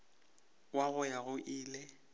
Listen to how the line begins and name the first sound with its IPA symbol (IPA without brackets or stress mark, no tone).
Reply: w